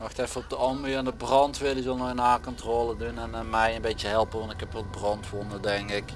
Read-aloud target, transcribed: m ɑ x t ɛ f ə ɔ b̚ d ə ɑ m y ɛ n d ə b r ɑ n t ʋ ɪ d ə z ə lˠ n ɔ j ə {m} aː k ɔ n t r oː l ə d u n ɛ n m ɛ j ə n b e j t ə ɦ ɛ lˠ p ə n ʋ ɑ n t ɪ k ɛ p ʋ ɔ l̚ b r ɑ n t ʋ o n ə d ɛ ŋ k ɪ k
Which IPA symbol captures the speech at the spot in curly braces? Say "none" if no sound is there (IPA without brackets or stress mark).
n